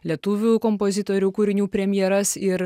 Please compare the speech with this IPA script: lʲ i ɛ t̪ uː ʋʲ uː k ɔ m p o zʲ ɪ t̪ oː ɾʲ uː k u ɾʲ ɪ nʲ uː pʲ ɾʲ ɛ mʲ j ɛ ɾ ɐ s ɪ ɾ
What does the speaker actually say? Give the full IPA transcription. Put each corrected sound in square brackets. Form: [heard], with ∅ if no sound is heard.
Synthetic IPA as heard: lʲ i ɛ t̪ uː ʋʲ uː k ɔ m p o zʲ ɪ t̪ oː ɾʲ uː k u ɾʲ ɪ nʲ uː pʲ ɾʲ ɛ mʲ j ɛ ɾ ɐ s ɪ ɾ